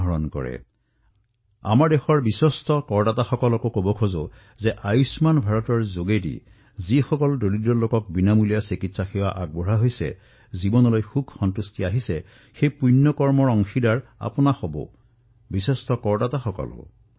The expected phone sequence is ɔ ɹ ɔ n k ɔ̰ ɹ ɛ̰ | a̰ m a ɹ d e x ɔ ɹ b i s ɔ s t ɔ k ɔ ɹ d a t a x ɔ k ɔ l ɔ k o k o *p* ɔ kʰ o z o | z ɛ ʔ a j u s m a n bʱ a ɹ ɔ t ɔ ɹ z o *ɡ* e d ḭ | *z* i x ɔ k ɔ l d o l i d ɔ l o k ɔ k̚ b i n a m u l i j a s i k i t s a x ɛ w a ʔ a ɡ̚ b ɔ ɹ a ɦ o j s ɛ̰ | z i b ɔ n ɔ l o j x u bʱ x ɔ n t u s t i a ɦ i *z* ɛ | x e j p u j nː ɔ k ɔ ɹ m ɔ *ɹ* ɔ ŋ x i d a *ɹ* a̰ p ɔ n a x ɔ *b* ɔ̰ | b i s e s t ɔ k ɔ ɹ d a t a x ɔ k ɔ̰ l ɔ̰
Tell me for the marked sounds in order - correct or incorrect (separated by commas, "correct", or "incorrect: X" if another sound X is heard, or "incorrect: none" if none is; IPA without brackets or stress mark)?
incorrect: b, correct, correct, incorrect: s, correct, correct, correct